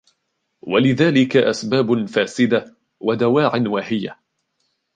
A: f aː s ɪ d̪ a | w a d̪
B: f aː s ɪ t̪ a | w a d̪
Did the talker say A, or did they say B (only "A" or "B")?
A